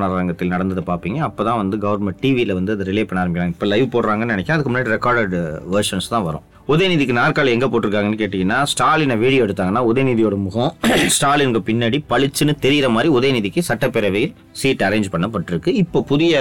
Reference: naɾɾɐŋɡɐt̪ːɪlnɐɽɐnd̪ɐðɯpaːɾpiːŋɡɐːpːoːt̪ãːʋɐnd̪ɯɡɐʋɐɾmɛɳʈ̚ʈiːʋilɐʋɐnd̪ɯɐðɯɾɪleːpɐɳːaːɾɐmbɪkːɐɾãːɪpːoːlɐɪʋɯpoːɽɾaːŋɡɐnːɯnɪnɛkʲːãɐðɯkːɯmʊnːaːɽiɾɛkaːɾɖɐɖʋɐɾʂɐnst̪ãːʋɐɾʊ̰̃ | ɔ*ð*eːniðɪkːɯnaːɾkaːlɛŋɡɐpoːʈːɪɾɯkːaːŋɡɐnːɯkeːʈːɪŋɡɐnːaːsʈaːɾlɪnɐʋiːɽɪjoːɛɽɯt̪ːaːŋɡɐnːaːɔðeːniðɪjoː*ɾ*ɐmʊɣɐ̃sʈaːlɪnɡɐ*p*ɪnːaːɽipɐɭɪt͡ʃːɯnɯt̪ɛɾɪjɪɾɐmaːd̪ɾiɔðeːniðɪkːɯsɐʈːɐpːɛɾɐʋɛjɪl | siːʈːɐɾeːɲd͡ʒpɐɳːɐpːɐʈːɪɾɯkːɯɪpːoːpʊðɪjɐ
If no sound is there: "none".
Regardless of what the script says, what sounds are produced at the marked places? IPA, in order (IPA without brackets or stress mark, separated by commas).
ð, ɽ, p